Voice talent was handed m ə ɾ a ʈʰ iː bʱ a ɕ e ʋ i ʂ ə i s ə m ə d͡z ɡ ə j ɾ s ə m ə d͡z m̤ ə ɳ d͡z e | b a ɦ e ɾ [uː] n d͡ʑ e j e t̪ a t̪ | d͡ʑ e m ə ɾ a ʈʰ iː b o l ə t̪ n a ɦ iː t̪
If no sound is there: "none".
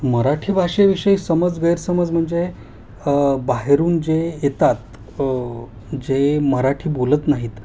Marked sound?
uː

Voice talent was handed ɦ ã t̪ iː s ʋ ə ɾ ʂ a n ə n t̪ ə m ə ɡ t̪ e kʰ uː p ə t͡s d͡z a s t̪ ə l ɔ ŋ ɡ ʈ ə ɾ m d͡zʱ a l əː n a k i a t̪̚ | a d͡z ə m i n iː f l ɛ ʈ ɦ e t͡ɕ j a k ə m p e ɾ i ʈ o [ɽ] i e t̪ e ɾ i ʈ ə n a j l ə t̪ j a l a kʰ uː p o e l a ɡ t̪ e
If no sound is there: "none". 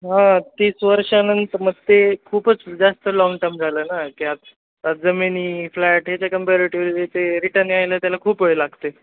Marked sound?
ɾ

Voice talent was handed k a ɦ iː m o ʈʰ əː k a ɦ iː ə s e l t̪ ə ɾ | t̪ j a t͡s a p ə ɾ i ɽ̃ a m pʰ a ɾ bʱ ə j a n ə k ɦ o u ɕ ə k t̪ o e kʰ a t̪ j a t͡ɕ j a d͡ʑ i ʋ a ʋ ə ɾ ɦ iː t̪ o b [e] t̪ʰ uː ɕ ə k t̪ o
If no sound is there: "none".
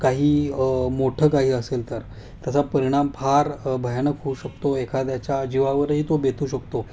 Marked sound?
e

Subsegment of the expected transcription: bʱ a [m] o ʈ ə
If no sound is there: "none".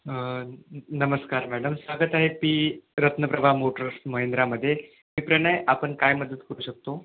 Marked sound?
m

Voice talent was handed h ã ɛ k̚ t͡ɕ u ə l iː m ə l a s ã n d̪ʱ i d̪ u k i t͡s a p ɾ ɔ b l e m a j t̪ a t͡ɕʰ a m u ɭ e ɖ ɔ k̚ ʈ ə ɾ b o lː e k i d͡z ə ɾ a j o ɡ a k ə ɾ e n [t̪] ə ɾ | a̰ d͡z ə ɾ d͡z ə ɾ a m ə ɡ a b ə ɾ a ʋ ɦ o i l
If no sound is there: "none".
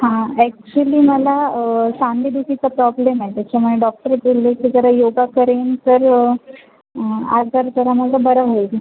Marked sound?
t̪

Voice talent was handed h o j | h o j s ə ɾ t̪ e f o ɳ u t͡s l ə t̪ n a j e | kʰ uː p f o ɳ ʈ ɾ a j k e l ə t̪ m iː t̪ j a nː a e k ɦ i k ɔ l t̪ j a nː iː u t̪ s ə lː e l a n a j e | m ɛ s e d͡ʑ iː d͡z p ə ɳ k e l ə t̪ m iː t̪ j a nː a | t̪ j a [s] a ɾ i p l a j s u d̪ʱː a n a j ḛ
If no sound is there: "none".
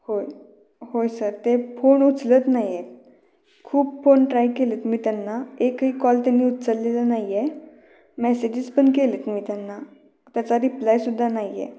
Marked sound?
t͡s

